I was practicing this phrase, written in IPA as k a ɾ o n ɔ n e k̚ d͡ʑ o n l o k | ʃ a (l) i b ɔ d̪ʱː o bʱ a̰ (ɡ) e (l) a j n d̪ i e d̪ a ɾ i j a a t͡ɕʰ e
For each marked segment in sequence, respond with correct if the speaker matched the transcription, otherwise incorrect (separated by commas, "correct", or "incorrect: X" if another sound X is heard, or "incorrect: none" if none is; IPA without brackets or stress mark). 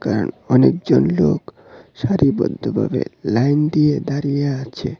incorrect: ɾ, incorrect: b, correct